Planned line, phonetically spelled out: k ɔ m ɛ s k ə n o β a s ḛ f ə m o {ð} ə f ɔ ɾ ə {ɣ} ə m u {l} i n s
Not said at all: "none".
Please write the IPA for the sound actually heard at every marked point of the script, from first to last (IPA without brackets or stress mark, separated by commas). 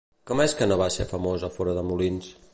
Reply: z, ð, l